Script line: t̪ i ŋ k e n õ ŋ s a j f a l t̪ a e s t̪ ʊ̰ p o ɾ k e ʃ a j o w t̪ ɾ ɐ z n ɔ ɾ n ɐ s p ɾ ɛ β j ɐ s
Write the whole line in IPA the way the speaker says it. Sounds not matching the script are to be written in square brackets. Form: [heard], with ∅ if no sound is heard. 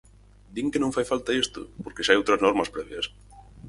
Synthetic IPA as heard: [d̪] i ŋ k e n õ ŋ [f] a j f a l t̪ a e s t̪ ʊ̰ p o ɾ k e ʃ a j o w t̪ ɾ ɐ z n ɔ ɾ [m] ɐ s p ɾ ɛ β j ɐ s